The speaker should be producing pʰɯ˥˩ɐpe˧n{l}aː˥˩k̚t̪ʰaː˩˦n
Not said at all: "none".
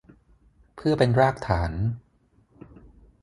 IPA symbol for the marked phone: ɾ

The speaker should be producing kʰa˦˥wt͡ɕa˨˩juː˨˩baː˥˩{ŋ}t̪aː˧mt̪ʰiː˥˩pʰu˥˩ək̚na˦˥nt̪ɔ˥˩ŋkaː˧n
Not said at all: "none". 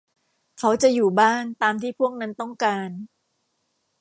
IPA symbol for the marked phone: n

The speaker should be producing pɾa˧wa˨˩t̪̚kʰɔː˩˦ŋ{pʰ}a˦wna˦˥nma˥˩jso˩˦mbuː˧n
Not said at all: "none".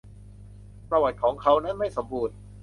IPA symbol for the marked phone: kʰ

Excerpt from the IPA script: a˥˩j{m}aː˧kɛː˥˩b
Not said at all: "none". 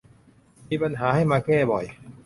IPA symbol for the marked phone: m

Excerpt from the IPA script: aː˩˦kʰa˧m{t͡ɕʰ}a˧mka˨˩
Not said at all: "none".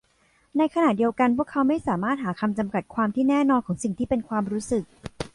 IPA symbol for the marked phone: t͡ɕ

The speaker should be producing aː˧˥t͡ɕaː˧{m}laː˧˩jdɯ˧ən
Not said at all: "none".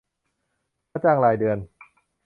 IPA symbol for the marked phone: ŋ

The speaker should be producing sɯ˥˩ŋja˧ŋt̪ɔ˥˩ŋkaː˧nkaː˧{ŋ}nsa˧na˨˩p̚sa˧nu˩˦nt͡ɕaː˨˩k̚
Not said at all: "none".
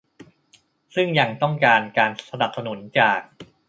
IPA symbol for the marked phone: none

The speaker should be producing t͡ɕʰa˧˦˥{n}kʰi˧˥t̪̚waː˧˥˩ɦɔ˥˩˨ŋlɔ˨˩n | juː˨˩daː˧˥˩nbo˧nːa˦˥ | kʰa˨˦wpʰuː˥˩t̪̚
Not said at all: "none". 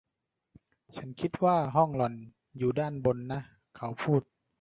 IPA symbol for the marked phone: n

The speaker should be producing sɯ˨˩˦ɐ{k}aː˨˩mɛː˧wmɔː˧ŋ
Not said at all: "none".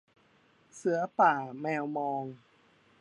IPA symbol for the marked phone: p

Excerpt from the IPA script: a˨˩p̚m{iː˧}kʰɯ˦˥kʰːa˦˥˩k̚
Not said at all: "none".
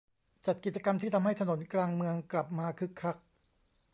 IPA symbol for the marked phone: aː˧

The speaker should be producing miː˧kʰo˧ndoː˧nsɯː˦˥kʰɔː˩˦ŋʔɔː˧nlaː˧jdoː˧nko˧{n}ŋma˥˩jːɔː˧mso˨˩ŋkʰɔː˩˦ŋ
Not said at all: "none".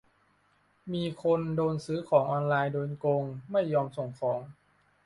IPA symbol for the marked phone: none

